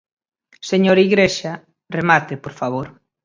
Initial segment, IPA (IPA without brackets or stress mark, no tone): s